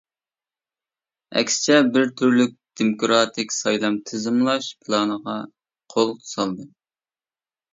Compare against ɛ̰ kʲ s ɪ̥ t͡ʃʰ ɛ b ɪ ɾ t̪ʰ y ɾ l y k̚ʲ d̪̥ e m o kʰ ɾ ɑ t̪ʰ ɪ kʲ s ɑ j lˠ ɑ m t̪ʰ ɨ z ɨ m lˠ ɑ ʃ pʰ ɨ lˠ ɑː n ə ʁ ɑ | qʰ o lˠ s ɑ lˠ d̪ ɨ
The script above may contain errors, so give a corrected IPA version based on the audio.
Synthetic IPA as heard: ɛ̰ kʲ s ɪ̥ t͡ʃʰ ɛ b ɪ ɾ t̪ʰ y ɾ l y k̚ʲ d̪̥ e m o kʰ ɾ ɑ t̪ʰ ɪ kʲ s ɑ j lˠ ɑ m t̪ʰ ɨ z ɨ m lˠ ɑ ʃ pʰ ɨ lˠ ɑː n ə ʁ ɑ | qʰ o lˠ s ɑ lˠ d̪ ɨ